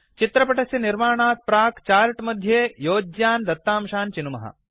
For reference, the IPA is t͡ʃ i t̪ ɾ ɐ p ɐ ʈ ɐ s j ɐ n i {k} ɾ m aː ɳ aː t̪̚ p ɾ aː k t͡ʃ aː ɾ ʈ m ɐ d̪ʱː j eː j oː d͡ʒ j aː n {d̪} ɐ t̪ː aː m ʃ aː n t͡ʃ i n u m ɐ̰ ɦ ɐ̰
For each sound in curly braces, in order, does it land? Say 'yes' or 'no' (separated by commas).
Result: no, yes